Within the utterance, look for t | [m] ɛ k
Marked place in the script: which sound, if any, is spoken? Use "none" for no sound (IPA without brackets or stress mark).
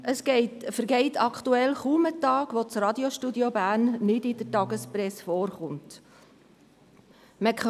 m